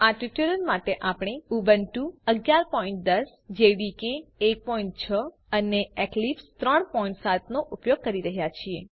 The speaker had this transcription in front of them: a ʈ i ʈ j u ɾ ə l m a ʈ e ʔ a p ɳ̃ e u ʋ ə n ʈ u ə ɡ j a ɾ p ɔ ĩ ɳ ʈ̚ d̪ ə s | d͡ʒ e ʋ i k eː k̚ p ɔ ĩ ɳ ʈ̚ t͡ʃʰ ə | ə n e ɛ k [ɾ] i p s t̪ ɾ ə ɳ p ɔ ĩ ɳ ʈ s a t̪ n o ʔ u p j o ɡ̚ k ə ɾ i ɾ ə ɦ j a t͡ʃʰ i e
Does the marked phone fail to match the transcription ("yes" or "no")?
yes